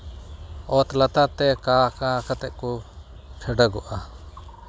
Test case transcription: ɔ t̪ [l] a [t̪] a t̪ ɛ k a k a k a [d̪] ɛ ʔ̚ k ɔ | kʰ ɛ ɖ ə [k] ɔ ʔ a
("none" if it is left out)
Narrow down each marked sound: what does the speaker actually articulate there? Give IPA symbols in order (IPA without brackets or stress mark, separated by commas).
l, t̪, t̪, ɡ